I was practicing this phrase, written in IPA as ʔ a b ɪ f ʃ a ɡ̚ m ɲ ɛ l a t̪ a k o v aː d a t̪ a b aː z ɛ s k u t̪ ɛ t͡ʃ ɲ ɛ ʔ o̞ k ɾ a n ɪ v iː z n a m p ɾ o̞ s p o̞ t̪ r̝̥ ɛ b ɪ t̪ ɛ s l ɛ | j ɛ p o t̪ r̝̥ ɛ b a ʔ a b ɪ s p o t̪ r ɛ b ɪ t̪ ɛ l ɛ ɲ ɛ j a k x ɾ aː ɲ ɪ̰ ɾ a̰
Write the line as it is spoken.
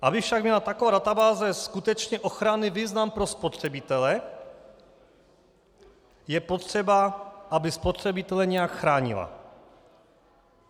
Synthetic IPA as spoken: ʔ a b ɪ f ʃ a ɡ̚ m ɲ ɛ l a t̪ a k o v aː d a t̪ a b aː z ɛ s k u t̪ ɛ t͡ʃ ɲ ɛ ʔ o̞ x ɾ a n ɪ v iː z n a m p ɾ o̞ s p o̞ t̪ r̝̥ ɛ b ɪ t̪ ɛ l ɛ | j ɛ p o t̪ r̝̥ ɛ b a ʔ a b ɪ s p o t̪ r ɛ b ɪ t̪ ɛ l ɛ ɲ ɛ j a k x ɾ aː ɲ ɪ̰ l a̰